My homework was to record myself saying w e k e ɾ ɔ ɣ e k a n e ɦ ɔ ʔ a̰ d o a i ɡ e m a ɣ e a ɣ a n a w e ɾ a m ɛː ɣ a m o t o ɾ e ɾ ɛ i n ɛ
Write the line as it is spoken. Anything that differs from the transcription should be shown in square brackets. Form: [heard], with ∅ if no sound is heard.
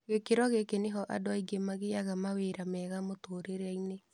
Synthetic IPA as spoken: [ɣ] e k e ɾ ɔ ɣ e k [e] n e ɦ ɔ ʔ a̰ d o a i ɡ e m a ɣ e a ɣ a [m] a w e ɾ a m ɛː ɣ a m o t o ɾ e ɾ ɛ i n [e]